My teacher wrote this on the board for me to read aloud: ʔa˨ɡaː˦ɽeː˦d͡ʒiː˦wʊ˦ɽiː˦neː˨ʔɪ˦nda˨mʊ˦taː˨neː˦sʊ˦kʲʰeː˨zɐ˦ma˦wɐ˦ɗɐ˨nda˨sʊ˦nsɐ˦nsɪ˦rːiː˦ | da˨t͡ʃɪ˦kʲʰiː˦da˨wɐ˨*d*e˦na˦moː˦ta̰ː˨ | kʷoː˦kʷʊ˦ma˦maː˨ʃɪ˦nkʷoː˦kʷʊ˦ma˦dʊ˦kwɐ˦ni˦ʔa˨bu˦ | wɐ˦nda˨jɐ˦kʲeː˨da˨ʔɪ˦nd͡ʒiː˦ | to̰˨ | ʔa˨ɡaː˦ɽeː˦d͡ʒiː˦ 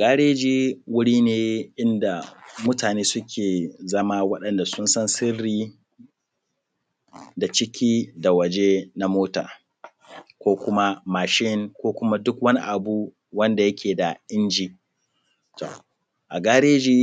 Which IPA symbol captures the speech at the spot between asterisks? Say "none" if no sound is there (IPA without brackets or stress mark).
d͡ʒ